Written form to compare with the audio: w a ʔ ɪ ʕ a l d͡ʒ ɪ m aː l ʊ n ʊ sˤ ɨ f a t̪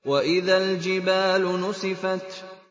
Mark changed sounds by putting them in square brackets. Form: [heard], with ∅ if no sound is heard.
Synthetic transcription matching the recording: w a ʔ ɪ [ð] a l d͡ʒ ɪ [b] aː l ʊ n ʊ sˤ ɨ f a t̪